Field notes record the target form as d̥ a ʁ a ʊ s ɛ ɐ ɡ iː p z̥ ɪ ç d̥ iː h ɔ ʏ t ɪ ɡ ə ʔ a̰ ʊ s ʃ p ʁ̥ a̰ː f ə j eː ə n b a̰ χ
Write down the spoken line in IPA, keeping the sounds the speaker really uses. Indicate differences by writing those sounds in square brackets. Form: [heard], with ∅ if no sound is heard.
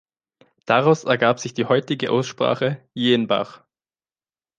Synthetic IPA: d̥ a ʁ a ʊ s ɛ ɐ ɡ [aː] p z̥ ɪ ç d̥ iː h ɔ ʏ t ɪ ɡ ə ʔ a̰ ʊ s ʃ p ʁ̥ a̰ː [χ] ə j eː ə n b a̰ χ